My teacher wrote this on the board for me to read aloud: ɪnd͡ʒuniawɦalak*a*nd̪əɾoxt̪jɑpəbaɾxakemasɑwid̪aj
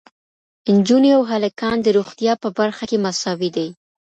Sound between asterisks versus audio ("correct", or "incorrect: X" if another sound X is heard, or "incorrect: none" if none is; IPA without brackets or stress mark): incorrect: ɑ